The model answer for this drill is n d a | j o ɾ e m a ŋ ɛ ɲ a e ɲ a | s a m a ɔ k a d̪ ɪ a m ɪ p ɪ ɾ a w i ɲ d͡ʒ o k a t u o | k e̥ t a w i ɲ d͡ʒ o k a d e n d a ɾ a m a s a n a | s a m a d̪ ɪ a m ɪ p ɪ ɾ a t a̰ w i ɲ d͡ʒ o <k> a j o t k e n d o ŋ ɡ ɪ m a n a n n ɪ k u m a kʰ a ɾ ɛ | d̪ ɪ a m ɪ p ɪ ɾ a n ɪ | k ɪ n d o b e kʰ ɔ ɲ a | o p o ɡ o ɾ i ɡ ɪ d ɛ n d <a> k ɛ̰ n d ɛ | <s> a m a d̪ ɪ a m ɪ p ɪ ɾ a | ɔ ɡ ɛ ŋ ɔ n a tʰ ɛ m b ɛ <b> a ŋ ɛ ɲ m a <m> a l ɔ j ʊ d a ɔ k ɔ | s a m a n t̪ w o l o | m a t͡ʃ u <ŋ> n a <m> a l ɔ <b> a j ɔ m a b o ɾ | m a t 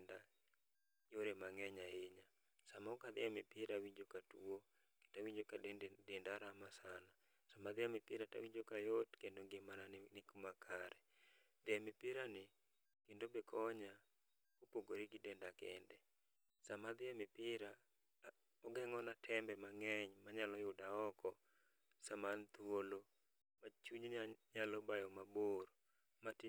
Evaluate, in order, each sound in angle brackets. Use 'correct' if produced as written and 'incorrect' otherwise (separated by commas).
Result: correct, correct, correct, incorrect, incorrect, incorrect, incorrect, correct